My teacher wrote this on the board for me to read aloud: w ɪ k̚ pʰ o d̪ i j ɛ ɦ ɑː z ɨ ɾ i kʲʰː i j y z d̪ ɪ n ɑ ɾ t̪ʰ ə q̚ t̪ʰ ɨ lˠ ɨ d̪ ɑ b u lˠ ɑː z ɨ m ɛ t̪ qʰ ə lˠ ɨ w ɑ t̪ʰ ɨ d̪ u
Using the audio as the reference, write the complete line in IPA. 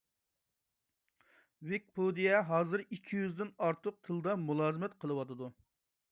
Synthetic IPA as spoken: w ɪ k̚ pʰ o d̪ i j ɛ ɦ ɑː z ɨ ɾ i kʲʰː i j y z d̪ ɪ n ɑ ɾ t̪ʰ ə q̚ t̪ʰ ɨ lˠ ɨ d̪ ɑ m u lˠ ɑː z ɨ m ɛ t̪ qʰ ə lˠ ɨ w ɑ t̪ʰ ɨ d̪ u

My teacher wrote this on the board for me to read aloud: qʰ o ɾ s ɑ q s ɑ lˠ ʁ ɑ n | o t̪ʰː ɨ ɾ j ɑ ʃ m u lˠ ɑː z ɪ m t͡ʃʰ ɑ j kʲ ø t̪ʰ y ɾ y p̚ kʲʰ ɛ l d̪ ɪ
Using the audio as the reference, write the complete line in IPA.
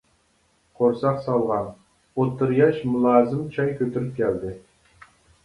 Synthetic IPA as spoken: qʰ o ɾ s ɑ q s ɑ lˠ ʁ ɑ n | o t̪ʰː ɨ ɾ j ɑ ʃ m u lˠ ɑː z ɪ m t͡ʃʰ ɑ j kʲ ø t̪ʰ y ɾ y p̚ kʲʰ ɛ l d̪ ɪ

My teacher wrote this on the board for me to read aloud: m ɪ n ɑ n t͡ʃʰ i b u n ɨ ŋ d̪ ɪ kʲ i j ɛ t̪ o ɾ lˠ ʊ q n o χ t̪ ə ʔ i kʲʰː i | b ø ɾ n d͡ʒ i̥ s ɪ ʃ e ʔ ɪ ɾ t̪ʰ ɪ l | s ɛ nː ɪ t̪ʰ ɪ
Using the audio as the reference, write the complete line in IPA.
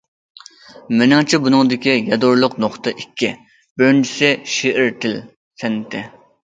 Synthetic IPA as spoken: m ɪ n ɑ ŋ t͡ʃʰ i b u n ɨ ŋ d̪ ɪ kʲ i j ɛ d̪ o ɾ lˠ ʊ q n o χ t̪ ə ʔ i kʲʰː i | b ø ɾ n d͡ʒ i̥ s ɪ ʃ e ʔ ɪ ɾ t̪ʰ ɪ l | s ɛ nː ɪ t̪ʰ ɪ

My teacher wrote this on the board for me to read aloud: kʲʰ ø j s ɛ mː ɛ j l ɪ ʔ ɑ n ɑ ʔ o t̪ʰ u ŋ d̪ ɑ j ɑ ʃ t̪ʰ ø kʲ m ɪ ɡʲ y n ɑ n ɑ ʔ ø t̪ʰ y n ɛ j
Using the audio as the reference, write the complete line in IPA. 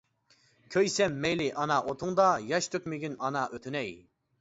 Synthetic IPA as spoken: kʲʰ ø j s ɛ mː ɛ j l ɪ ʔ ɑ n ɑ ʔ o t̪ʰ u ŋ d̪ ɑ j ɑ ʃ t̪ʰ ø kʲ m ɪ ɡʲ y n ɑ n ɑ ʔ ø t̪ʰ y n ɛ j

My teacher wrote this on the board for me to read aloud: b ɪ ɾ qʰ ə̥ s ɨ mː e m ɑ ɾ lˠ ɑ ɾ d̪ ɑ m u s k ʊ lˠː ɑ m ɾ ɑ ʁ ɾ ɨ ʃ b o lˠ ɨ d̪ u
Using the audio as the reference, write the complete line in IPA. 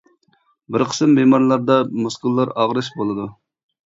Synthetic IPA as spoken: b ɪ ɾ qʰ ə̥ s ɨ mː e m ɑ ɾ lˠ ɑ ɾ d̪ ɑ m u s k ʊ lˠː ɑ ɾ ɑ ʁ ɾ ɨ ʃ b o lˠ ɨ d̪ u

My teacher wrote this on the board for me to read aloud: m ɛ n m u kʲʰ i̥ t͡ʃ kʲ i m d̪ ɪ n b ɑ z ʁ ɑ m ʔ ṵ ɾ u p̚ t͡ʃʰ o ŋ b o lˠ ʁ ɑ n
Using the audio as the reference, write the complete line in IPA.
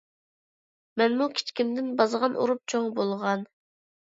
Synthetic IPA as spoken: m ɛ n m u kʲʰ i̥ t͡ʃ kʲ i m d̪ ɪ n b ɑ z ʁ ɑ n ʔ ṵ ɾ u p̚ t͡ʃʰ o ŋ b o lˠ ʁ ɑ n

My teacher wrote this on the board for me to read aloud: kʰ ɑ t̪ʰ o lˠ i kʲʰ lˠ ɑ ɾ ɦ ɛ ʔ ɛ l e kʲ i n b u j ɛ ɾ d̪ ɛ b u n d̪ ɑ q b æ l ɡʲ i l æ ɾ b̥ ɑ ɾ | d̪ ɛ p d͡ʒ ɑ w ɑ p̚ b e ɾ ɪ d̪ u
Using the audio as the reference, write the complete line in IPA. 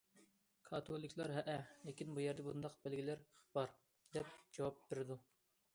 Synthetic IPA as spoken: kʰ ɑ t̪ʰ o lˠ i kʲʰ lˠ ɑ ɾ ɦ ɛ ʔ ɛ l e kʲ i n b u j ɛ ɾ d̪ ɛ b u n d̪ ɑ q b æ l ɡʲ i l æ ɾ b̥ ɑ ɾ | d̪ ɛ p d͡ʒ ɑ w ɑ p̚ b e ɾ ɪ d̪ u

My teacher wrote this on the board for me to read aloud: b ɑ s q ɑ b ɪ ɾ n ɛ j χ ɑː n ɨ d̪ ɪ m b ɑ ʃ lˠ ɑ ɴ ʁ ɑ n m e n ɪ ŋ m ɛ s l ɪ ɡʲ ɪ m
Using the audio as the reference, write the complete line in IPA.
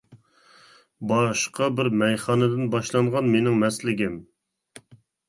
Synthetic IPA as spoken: b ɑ ʃ q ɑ b ɪ ɾ m ɛ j χ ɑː n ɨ d̪ ɪ n b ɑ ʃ lˠ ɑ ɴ ʁ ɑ n m e n ɪ ŋ m ɛ s l ɪ ɡʲ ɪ m

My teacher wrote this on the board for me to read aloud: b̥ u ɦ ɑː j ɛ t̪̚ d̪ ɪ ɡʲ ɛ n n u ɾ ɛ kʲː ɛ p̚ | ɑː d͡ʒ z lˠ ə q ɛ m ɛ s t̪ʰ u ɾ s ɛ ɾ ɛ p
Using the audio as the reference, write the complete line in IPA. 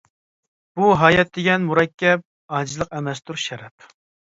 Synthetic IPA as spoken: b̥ u ɦ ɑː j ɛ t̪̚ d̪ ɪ ɡʲ ɛ n m u ɾ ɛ kʲː ɛ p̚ | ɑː d͡ʒ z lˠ ə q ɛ m ɛ s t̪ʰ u ɾ ʃ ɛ ɾ ɛ p

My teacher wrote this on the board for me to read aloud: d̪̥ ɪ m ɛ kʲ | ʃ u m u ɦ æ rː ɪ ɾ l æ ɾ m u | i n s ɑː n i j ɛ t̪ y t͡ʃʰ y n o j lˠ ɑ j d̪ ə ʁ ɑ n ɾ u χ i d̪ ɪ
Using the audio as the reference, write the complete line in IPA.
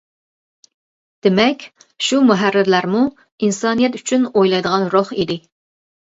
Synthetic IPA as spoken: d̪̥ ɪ m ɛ kʲ | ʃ u m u ɦ æ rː ɪ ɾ l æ ɾ m u | i n s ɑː n i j ɛ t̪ y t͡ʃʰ y n o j lˠ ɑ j d̪ ə ʁ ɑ n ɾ o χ i d̪ ɪ

